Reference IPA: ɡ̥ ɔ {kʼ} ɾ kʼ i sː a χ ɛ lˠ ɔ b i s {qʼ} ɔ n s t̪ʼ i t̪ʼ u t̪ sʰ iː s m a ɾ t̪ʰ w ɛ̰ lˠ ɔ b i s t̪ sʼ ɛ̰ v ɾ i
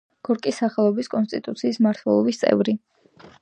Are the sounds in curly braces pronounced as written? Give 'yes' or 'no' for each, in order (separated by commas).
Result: no, no